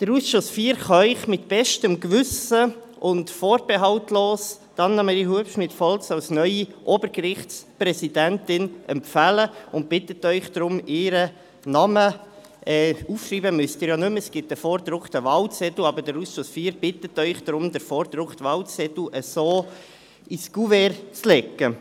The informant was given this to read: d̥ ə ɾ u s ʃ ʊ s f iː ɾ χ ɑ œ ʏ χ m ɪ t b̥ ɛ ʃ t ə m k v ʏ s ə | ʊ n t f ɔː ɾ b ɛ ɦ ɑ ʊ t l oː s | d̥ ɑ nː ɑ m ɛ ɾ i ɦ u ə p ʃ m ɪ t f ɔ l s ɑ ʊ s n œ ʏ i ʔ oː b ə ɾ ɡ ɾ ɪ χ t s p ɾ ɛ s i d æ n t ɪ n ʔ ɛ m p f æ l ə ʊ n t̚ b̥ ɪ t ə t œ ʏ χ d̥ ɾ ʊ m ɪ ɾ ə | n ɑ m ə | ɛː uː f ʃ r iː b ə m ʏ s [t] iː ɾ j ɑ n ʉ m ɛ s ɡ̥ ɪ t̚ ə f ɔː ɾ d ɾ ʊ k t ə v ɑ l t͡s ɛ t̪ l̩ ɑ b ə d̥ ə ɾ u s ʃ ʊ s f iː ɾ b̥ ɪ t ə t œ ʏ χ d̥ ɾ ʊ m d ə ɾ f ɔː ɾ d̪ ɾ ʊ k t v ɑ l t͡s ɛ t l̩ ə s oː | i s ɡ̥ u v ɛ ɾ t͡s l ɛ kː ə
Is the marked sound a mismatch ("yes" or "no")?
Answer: no